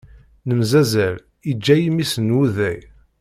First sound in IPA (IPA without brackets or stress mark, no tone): n